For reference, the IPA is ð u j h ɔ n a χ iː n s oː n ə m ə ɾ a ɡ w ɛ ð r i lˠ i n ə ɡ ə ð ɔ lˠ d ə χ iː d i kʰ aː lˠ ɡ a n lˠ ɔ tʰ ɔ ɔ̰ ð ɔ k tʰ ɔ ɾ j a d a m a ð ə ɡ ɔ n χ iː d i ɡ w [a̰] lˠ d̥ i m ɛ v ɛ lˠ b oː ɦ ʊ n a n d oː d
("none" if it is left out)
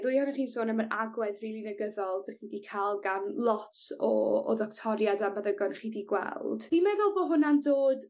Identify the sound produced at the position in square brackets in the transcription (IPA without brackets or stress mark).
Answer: ɛ̰